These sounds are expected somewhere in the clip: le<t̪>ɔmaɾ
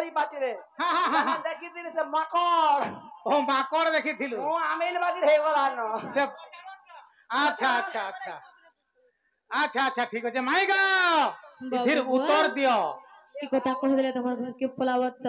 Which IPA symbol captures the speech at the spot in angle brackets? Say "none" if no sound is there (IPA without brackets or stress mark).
t̪